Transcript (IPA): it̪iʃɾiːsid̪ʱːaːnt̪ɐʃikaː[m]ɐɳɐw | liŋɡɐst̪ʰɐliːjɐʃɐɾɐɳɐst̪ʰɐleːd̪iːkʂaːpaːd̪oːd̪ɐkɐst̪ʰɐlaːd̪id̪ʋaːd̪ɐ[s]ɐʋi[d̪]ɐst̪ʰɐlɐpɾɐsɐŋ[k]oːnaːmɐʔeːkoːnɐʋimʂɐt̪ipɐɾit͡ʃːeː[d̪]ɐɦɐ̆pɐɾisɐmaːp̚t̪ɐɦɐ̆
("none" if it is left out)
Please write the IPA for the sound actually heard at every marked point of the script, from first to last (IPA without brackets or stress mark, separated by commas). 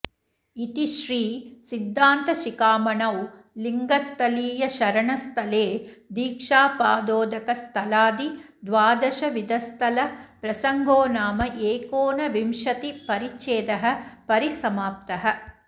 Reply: m, ʃ, d̪, ɡ, d̪